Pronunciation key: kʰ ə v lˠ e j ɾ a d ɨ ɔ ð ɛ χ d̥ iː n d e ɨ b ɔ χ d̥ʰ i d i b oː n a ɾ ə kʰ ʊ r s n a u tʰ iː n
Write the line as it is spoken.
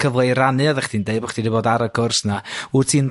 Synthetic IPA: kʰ ə v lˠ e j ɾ a n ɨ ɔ ð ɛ χ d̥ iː n d e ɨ b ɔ χ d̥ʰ i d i b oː d a ɾ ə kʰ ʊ r s n a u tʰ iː n